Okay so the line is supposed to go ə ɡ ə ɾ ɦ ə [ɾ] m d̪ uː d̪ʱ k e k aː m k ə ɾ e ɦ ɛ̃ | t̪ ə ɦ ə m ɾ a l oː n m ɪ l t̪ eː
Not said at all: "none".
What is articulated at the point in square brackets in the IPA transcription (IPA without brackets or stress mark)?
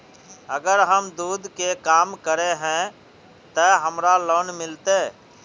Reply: none